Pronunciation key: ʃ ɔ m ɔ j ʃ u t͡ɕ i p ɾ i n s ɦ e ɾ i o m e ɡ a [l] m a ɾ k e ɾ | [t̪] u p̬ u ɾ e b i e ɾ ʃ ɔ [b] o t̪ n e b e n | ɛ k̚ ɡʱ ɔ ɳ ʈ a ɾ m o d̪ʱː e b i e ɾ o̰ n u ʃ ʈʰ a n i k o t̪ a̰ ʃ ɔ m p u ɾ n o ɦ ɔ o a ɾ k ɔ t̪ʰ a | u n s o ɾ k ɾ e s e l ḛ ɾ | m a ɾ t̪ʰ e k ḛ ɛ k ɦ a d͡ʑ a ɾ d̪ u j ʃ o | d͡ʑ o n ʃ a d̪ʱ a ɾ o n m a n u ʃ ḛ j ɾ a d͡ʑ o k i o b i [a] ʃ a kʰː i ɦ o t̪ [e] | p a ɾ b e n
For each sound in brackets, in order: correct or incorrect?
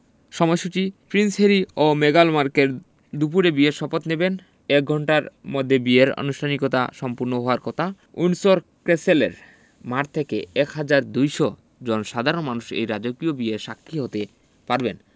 correct, incorrect, incorrect, incorrect, correct

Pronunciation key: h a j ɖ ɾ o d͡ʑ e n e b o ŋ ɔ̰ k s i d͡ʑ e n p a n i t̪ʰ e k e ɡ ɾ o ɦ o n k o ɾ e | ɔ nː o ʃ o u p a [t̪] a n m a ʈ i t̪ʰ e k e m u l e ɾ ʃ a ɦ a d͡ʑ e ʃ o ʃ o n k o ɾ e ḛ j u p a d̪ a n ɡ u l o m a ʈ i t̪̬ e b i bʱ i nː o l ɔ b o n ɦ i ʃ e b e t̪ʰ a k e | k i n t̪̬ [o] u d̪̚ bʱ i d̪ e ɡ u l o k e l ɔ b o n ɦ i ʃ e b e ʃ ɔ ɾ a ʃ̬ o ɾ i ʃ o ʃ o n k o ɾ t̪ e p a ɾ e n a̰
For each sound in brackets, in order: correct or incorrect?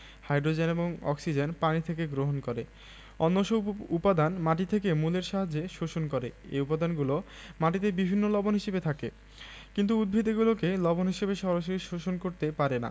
incorrect, incorrect

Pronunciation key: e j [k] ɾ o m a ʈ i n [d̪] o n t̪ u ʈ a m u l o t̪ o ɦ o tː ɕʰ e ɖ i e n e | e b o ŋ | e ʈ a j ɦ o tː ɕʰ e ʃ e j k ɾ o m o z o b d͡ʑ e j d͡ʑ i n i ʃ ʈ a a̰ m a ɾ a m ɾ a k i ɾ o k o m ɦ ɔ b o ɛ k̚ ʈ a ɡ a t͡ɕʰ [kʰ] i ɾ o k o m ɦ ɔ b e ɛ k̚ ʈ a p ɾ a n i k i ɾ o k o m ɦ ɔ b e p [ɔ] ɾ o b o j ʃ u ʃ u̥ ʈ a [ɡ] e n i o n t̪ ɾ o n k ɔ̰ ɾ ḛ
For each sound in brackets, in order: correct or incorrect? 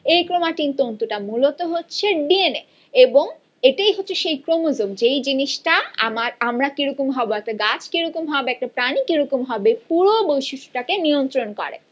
correct, incorrect, incorrect, incorrect, incorrect

